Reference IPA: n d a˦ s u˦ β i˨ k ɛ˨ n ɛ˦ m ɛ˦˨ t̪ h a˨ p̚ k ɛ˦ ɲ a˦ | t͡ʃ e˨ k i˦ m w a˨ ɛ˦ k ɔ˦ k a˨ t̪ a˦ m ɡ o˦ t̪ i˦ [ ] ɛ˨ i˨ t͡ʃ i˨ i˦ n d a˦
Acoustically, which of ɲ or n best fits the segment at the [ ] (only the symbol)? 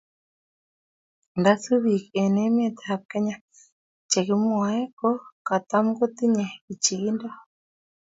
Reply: ɲ